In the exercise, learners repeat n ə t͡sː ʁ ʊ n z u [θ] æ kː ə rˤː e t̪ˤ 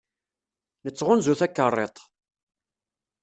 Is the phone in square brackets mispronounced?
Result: no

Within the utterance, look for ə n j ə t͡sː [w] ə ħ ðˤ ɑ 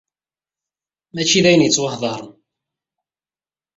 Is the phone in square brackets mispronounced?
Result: no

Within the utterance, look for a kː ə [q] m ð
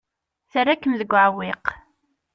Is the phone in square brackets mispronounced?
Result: yes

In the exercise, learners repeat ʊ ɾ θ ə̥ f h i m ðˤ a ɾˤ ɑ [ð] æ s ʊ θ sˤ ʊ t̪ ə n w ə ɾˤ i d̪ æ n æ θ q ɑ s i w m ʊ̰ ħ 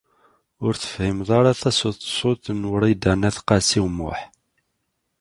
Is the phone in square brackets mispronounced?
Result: yes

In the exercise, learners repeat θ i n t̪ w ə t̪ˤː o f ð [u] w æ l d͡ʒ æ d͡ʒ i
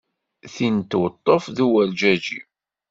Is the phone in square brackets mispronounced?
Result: no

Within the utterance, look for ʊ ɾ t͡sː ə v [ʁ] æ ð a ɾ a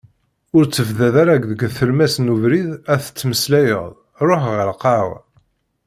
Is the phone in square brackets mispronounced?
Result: yes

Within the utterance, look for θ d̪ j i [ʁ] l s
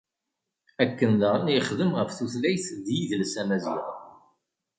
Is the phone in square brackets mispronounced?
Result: yes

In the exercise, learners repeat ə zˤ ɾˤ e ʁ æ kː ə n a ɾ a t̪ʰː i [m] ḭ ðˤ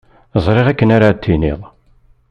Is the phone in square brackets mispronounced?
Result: yes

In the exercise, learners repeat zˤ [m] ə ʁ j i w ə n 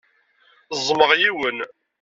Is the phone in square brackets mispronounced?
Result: no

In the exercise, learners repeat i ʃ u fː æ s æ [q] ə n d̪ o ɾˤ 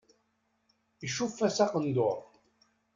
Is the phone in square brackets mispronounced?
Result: no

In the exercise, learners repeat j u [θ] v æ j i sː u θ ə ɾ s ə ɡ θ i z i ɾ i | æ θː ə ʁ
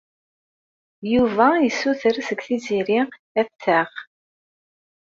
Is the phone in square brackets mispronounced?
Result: yes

